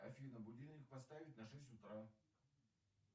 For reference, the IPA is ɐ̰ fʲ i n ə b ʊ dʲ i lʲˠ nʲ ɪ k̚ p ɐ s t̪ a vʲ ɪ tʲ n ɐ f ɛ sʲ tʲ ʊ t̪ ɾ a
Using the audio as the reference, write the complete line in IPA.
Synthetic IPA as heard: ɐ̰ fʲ i n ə b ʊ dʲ i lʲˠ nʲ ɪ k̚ p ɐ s t̪ a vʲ ɪ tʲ n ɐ ʂ ɛ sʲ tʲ ʊ t̪ ɾ a